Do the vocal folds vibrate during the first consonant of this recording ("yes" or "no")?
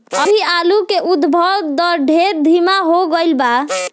yes